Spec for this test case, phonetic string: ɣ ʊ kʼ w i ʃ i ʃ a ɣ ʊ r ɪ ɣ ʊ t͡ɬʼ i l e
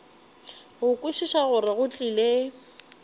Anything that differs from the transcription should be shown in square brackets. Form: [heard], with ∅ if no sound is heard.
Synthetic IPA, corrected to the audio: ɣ ʊ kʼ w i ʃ i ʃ a ɣ ʊ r ɪ ɣ ʊ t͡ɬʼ i l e

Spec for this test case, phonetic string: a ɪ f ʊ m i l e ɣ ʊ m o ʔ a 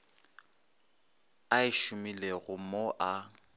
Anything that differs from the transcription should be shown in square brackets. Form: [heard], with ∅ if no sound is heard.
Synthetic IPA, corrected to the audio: a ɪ [ʃ] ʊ m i l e ɣ ʊ m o ʔ a

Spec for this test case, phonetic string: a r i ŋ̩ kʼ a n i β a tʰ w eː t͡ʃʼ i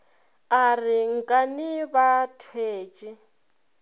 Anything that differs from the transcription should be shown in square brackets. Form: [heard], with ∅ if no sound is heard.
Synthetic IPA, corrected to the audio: a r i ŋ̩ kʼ a n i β a tʰ w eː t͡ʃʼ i

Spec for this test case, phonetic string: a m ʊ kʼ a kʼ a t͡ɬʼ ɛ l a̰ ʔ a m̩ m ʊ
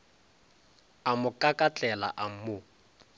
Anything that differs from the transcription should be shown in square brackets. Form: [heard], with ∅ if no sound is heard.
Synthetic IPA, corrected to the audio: a m ʊ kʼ a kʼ a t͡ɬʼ ɛ l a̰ ʔ a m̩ m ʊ

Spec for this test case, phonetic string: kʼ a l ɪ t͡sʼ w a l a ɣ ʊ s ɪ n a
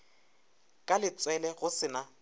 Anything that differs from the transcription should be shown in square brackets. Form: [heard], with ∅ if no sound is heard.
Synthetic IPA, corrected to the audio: kʼ a l ɪ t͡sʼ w [ɛ] l [ɛ] ɣ ʊ s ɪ n a

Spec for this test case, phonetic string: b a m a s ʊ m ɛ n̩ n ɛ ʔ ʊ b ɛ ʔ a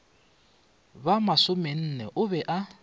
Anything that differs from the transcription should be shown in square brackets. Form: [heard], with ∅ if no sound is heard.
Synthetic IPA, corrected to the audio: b a m a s ʊ m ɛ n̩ n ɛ ʔ ʊ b ɛ ʔ a

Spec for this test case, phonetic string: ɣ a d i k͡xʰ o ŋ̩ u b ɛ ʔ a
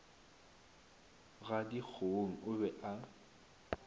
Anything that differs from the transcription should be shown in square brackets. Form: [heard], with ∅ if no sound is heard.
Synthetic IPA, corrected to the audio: ɣ a d i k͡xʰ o ŋ̩ [ʊ] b ɛ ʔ a

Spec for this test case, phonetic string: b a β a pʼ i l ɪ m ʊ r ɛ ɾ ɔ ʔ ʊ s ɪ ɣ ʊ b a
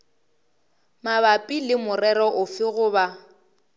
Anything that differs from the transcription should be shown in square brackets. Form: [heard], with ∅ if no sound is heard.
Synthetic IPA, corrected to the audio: [m] a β a pʼ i l ɪ m ʊ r ɛ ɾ ɔ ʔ ʊ [f] ɪ ɣ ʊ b a

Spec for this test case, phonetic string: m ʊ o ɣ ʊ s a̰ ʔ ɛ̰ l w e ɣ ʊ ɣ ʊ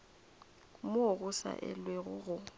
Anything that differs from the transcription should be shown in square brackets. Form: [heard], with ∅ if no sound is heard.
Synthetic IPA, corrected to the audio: m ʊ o ɣ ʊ s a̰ ʔ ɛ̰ l w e ɣ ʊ ɣ ʊ

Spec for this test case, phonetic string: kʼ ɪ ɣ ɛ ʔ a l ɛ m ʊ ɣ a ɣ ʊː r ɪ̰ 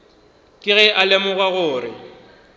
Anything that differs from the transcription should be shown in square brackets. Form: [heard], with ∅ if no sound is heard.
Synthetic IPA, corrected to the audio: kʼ ɪ ɣ ɛ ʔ a l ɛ m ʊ ɣ a ɣ ʊː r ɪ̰

